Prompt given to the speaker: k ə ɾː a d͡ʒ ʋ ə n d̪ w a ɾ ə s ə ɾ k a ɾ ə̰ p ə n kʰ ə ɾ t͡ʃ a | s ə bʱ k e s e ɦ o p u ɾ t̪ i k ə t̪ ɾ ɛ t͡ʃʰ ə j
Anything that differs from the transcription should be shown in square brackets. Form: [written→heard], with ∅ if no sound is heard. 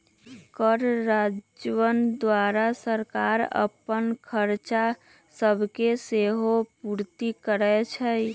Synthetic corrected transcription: k ə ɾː a d͡ʒ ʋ ə n d̪ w a ɾ [ə→a] s ə ɾ k a ɾ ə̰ p ə n kʰ ə ɾ t͡ʃ a | s ə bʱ k e s e ɦ o p u ɾ t̪ i k ə [t̪→∅] ɾ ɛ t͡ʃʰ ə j

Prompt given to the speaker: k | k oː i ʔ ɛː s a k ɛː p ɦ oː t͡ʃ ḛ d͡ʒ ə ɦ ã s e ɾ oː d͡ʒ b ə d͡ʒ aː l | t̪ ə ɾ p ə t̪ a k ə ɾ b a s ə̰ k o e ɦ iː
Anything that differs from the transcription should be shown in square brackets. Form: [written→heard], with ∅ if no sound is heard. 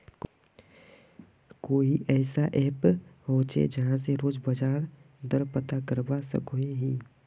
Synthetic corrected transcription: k | k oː i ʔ ɛː s a [k→ʔ] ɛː p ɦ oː t͡ʃ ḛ d͡ʒ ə ɦ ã s e ɾ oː d͡ʒ b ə d͡ʒ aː [l→ɾ] | [t̪→d̪] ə ɾ p ə t̪ a k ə ɾ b a s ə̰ k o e ɦ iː

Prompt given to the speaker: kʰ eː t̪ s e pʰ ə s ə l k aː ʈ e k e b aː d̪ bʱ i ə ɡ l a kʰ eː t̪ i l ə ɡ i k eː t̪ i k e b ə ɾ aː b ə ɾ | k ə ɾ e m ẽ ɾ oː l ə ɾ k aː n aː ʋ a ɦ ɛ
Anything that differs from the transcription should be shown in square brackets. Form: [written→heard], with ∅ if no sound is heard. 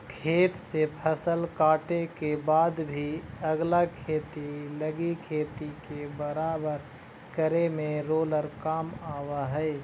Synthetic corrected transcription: kʰ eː t̪ s e pʰ ə s ə l k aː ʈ e k e b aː d̪ bʱ i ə ɡ l a kʰ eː t̪ i l ə ɡ i [k→kʰ] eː t̪ i k e b ə ɾ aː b ə ɾ | k ə ɾ e m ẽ ɾ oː l ə ɾ k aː [n→m] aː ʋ a ɦ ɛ

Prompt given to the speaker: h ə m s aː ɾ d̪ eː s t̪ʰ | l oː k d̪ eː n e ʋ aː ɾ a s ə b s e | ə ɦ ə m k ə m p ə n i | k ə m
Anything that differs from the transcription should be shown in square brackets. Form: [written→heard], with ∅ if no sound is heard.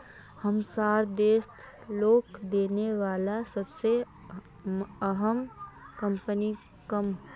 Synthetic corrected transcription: h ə m s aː ɾ d̪ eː s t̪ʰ | l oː k d̪ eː n e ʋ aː [ɾ→l] a s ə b s e | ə ɦ ə m k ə m p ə n i | k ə m

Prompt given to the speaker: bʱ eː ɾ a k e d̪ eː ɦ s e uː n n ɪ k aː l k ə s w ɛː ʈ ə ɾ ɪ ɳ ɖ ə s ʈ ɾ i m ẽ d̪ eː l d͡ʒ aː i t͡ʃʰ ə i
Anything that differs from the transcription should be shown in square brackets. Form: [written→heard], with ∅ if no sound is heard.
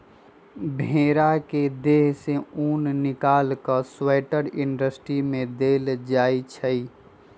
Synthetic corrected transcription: bʱ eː ɾ a k e d̪ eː ɦ s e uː n n ɪ k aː l k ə s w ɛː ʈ ə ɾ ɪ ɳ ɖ ə s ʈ ɾ i m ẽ d̪ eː l d͡ʒ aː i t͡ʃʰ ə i

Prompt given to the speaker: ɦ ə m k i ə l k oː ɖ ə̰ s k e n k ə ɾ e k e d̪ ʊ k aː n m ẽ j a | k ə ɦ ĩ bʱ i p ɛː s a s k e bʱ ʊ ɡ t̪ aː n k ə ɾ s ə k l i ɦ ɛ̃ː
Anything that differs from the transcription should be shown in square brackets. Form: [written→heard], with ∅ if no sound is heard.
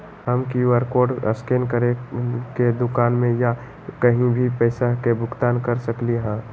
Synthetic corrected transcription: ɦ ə m k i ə [l→ɾ] k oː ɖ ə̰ s k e n k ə ɾ e k e d̪ ʊ k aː n m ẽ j a | k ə ɦ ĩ bʱ i p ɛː s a [s→∅] k e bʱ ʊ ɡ t̪ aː n k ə ɾ s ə k l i ɦ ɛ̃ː

